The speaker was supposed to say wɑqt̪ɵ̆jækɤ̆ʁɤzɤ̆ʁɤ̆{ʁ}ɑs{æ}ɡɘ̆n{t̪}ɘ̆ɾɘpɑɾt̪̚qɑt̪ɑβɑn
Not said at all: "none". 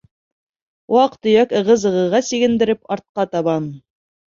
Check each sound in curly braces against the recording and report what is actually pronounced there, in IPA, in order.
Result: ʁ, i, d̪

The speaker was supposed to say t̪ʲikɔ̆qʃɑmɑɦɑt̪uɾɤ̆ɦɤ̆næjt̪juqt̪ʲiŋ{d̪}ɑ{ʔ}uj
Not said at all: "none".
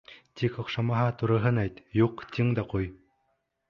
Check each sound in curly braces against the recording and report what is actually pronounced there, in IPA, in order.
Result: d̪, q

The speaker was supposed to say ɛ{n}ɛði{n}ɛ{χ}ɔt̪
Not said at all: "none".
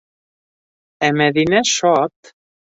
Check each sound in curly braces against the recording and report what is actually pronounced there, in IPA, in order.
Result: m, n, ʃ

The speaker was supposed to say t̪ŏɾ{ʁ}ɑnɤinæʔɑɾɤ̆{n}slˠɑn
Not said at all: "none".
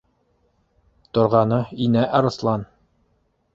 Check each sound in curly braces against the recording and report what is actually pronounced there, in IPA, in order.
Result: ʁ, none

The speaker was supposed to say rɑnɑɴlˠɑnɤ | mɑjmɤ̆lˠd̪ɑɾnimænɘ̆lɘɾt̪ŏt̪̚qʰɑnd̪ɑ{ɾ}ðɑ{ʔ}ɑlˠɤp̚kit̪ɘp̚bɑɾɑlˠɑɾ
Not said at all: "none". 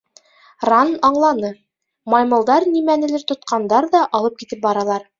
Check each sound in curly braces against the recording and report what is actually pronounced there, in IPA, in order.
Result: ɾ, ʔ

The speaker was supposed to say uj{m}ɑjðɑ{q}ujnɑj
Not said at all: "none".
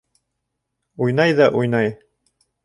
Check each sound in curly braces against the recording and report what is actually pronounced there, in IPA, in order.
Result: n, ʔ

